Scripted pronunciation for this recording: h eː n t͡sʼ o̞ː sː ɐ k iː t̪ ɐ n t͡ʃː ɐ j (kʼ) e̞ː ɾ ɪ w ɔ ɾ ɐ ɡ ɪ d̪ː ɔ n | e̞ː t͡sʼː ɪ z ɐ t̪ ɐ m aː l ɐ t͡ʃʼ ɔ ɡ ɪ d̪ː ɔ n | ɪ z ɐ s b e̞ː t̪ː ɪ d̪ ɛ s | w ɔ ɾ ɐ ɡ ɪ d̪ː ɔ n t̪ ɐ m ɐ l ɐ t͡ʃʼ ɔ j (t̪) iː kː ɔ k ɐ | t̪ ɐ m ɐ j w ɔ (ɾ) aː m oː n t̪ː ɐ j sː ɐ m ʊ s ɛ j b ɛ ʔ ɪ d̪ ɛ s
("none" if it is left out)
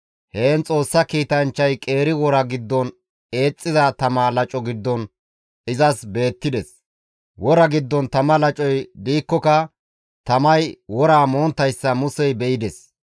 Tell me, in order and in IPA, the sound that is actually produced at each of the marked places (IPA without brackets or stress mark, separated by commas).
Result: kʼ, d̪, ɾ